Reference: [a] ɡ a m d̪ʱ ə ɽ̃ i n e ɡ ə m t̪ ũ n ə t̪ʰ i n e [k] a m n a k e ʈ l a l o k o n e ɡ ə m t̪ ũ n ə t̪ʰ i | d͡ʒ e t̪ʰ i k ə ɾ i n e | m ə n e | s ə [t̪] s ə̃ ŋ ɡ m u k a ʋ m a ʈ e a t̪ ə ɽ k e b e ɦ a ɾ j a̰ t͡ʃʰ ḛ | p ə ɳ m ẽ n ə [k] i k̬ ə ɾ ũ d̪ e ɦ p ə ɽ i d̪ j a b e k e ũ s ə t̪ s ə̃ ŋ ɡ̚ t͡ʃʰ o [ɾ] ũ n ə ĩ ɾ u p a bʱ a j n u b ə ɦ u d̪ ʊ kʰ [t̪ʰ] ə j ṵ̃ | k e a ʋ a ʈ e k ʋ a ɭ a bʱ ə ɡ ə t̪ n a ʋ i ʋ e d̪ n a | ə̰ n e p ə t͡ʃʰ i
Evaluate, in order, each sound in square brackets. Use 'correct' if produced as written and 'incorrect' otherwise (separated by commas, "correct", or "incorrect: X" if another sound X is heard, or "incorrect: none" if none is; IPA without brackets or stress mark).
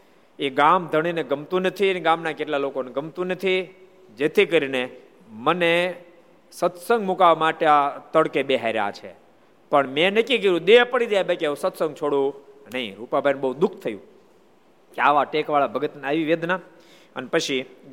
incorrect: e, incorrect: ɡ, correct, correct, incorrect: ɽ, correct